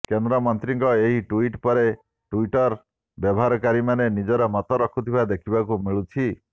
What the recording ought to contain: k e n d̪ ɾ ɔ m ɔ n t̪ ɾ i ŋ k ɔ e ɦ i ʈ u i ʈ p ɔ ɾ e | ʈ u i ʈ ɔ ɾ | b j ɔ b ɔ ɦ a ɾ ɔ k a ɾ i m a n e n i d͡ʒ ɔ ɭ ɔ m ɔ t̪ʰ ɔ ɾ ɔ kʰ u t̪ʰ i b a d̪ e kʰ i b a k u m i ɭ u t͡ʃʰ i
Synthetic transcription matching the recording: k e n d̪ ɾ ɔ m ɔ n t̪ ɾ i ŋ k ɔ e ɦ i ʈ u i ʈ p ɔ ɾ e | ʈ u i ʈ ɔ ɾ | b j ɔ b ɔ ɦ a ɾ ɔ k a ɾ i m a n e n i d͡ʒ ɔ ɾ ɔ m ɔ t̪ ɔ ɾ ɔ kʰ u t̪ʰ i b a d̪ e kʰ i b a k u m i ɭ u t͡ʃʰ i